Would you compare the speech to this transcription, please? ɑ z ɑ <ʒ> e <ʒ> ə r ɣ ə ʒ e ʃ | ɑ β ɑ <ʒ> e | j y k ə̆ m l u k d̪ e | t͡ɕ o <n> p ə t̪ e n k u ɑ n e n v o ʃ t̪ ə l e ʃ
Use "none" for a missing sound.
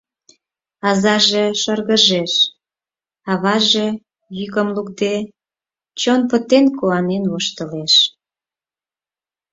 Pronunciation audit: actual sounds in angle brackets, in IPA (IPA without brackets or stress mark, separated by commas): ʒ, ʃ, ʒ, n